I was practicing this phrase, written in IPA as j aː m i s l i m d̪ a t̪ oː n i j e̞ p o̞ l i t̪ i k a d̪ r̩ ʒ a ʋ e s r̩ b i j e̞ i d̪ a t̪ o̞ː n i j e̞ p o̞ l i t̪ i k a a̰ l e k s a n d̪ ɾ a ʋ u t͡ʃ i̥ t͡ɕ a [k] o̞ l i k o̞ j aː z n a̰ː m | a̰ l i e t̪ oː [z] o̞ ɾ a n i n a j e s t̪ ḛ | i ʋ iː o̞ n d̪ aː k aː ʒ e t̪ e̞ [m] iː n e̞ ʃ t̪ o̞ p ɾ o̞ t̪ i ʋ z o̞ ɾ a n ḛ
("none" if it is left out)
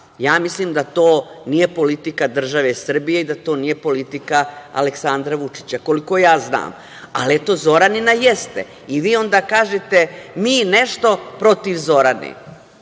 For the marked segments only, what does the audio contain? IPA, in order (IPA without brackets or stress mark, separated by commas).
k, z, m